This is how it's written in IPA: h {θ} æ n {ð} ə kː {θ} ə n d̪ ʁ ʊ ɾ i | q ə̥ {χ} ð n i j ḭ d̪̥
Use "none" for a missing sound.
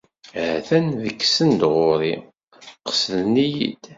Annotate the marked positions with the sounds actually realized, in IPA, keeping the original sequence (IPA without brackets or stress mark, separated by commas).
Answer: θ, ð, s, s